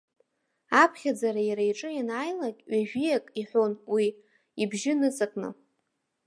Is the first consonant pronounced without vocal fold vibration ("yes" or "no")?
yes